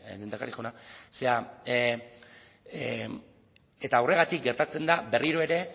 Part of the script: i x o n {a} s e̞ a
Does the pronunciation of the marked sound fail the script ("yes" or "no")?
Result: no